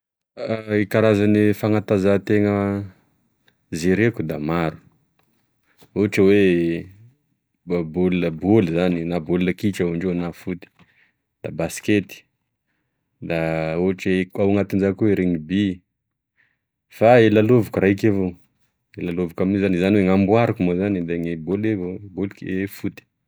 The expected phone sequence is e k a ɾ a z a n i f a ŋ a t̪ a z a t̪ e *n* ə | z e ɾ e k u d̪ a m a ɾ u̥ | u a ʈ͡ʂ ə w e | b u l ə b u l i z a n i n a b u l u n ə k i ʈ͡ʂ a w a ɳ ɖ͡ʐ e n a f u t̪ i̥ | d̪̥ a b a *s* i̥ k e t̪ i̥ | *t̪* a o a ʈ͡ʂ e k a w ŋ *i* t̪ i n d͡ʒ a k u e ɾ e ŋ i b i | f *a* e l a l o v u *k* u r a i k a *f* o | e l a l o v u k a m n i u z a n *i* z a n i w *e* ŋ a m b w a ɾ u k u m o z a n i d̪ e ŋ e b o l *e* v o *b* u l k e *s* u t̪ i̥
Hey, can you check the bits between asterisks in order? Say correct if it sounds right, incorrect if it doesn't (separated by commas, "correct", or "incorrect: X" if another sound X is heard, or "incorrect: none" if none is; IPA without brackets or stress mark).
incorrect: ŋ, correct, incorrect: d̪, incorrect: a, correct, correct, incorrect: v, correct, correct, correct, correct, incorrect: f